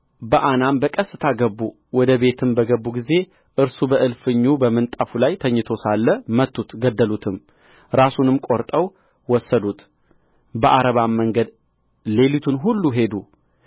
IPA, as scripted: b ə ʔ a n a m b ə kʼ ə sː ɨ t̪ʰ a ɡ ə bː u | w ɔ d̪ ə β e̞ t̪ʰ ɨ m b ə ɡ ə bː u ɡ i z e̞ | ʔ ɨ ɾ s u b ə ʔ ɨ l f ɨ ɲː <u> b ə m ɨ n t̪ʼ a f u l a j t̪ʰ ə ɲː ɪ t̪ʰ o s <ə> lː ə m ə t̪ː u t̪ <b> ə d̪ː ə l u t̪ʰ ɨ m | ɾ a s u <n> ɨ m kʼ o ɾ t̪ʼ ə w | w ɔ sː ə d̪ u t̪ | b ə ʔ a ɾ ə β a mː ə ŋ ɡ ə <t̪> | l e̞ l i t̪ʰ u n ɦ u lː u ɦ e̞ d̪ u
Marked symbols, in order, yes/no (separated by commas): yes, no, no, yes, no